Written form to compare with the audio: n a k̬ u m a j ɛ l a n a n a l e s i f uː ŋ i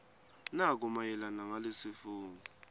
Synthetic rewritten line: n a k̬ u m a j ɛ l a n a ŋ a l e s i f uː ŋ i